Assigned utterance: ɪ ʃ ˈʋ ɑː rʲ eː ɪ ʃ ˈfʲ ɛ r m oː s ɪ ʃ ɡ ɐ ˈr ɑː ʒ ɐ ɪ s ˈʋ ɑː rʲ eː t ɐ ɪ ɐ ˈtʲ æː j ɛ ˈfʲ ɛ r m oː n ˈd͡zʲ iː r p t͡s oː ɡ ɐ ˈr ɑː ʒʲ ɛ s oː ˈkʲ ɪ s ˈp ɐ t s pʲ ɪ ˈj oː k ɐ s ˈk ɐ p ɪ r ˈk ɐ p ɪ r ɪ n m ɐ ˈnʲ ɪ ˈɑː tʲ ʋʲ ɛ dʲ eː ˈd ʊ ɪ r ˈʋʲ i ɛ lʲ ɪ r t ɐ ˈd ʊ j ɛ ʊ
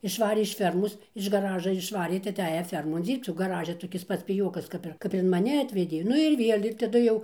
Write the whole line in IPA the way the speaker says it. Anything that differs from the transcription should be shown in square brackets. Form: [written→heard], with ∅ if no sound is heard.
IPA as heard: ɪ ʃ ˈʋ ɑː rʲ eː ɪ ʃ ˈfʲ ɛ r m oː s ɪ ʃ ɡ ɐ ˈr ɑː ʒ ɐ ɪ [s→ʃ] ˈʋ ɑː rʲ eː t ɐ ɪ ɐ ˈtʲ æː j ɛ ˈfʲ ɛ r m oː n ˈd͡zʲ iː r p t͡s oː ɡ ɐ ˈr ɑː ʒʲ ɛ [s→t] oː ˈkʲ ɪ s ˈp ɐ t s pʲ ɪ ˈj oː k ɐ s ˈk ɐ p ɪ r ˈk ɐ p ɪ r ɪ n m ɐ ˈnʲ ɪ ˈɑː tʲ ʋʲ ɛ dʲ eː [ˈd→ˈn] ʊ ɪ r ˈʋʲ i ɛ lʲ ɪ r t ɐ ˈd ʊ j ɛ ʊ